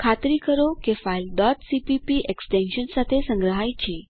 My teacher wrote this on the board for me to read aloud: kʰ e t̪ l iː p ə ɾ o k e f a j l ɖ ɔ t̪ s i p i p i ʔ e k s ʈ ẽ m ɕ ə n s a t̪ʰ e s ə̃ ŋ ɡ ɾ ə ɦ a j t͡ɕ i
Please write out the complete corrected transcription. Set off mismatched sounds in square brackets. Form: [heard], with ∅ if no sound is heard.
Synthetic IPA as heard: kʰ [a] t̪ [ɾ] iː [k] ə ɾ o k e f a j l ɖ ɔ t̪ s i p i p i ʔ e k s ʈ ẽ [n] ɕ ə n s a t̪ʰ e s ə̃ ŋ ɡ ɾ ə ɦ a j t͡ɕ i